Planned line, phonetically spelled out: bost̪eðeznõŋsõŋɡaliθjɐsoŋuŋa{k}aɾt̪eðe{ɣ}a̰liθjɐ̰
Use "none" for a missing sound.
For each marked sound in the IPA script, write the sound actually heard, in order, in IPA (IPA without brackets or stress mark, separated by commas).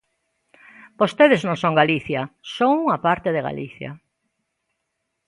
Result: p, ɣ